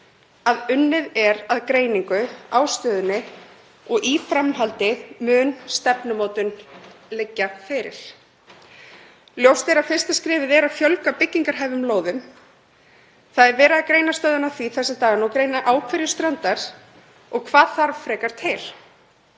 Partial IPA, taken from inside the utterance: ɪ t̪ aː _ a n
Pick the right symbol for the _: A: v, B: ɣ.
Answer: B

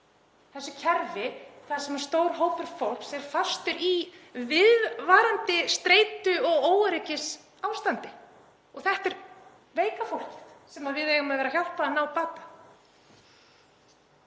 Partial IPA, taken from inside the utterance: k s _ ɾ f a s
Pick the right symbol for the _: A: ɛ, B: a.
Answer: A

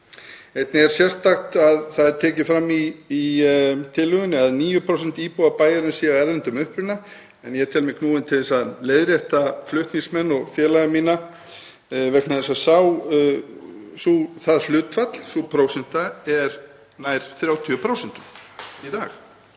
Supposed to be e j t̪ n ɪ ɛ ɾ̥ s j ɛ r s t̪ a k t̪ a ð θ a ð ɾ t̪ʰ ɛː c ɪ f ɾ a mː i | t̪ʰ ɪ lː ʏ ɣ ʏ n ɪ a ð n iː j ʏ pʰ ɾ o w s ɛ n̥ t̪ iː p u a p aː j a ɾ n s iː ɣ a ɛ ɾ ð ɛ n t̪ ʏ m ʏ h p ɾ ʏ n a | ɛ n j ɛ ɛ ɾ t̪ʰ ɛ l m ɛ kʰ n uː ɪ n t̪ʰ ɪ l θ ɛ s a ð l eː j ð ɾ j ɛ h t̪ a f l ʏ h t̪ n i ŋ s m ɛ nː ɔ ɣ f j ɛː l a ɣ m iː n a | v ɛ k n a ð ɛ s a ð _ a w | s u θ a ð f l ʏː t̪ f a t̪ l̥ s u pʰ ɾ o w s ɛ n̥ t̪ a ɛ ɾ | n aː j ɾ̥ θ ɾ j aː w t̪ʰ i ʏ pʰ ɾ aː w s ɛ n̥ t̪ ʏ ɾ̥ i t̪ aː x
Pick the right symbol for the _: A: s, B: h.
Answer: A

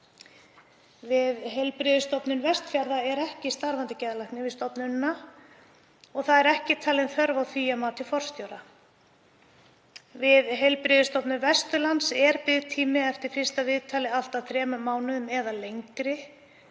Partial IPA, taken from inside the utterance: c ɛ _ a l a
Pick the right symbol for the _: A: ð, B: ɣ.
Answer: A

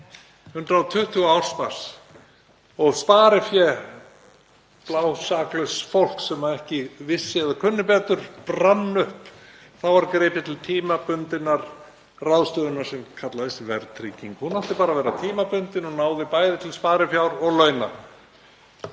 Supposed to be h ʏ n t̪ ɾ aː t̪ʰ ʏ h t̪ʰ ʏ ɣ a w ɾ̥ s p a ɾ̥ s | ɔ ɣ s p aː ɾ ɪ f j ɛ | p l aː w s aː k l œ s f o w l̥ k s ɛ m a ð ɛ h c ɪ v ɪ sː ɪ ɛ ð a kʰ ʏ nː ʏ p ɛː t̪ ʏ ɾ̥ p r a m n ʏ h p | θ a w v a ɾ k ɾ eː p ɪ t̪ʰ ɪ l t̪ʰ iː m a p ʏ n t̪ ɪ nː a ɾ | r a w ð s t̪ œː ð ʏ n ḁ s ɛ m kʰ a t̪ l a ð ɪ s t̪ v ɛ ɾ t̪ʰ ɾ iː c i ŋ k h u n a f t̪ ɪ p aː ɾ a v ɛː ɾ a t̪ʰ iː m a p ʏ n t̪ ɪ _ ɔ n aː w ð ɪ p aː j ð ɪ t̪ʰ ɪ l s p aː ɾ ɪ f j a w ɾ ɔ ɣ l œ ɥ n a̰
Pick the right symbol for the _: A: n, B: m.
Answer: A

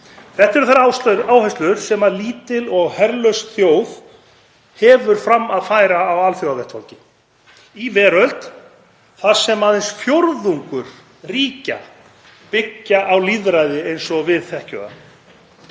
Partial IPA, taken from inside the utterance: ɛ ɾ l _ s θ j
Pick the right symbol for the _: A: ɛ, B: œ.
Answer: B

